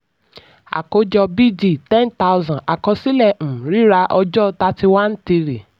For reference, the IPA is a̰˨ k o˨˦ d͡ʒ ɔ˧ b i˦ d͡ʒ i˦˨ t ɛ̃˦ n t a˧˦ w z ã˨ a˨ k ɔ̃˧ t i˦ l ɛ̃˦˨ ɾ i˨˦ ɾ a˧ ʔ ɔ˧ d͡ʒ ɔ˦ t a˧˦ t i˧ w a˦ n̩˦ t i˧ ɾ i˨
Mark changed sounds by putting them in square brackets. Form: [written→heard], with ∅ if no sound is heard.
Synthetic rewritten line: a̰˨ k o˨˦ d͡ʒ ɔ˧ b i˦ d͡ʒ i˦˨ t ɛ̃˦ n t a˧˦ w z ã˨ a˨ k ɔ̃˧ [t→s] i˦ l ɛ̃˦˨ ɾ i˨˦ ɾ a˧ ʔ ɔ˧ d͡ʒ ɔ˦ t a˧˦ t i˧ w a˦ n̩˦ t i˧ ɾ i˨